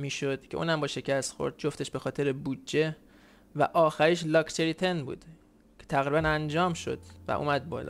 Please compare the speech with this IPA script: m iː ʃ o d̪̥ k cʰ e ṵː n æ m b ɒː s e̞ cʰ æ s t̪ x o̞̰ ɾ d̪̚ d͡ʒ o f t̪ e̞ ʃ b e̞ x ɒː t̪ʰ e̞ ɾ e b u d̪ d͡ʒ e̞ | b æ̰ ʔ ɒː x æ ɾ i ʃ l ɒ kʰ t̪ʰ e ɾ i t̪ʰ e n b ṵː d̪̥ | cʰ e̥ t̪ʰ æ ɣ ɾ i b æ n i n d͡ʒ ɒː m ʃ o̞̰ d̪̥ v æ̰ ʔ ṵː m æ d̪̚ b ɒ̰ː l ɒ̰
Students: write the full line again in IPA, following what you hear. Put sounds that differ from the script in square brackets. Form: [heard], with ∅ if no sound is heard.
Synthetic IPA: m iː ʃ o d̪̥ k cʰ e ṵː n æ m b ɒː [ʃ] e̞ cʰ æ s t̪ x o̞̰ ɾ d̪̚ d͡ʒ o f t̪ e̞ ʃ b e̞ x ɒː t̪ʰ e̞ ɾ e b u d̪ d͡ʒ e̞ | [v] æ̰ ʔ ɒː x æ ɾ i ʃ l ɒ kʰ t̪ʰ e ɾ i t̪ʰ e n b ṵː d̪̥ | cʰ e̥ t̪ʰ æ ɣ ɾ i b æ n [æ] n d͡ʒ ɒː m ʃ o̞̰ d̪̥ v æ̰ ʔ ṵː m æ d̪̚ b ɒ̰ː l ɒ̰